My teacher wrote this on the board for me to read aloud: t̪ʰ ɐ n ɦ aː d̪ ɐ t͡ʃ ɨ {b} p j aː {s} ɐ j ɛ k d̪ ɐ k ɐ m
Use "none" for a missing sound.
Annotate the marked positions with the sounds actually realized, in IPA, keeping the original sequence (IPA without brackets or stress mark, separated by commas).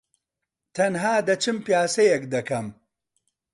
m, s